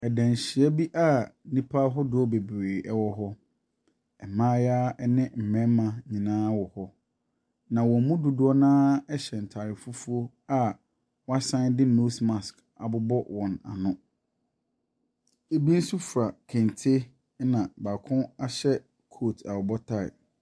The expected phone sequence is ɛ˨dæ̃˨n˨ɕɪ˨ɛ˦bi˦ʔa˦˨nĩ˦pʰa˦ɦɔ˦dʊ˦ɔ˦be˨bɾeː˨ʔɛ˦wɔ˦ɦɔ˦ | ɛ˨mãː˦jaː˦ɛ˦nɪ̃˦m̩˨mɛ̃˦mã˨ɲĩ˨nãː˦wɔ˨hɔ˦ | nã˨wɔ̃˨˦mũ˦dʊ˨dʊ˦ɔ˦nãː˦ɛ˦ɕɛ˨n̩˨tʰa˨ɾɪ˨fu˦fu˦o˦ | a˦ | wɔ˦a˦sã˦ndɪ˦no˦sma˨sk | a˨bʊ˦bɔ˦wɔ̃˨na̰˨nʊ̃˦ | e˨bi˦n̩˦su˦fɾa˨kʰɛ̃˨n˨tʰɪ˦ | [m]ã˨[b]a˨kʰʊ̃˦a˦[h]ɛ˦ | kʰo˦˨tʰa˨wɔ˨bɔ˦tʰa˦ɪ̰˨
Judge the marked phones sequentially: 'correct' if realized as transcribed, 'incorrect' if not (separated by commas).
incorrect, correct, incorrect